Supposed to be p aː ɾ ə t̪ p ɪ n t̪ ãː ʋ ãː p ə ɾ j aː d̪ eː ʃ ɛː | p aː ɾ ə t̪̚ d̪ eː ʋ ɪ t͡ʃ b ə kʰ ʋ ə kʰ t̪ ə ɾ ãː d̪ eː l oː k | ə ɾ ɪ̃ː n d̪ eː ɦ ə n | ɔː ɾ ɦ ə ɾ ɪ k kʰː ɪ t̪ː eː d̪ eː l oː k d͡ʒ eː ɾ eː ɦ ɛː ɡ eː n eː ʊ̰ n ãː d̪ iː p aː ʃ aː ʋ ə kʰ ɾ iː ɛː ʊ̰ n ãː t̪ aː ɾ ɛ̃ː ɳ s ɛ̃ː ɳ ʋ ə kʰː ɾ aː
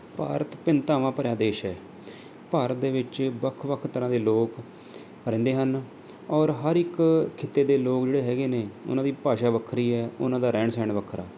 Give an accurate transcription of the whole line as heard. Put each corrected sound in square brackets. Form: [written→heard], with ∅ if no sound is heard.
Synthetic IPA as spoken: p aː ɾ ə t̪ p ɪ n t̪ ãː ʋ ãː p ə ɾ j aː d̪ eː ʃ ɛː | p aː ɾ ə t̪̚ d̪ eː ʋ ɪ t͡ʃ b ə kʰ ʋ ə kʰ t̪ ə ɾ ãː d̪ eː l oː k | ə ɾ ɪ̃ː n d̪ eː ɦ ə n | ɔː ɾ ɦ ə ɾ ɪ k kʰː ɪ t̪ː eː d̪ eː l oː k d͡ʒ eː [ɾ→ɽ] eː ɦ ɛː ɡ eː n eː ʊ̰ n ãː d̪ iː p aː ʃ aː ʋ ə kʰ ɾ iː ɛː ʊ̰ n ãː [t̪→d̪] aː ɾ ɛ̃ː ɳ s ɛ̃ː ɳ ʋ ə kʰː ɾ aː